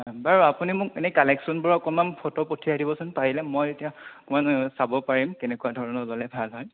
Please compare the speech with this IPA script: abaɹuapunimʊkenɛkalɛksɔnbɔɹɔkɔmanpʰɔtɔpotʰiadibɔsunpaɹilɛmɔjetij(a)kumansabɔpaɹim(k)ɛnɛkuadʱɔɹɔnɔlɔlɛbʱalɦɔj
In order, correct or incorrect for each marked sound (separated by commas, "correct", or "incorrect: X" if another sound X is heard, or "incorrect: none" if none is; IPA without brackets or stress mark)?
correct, correct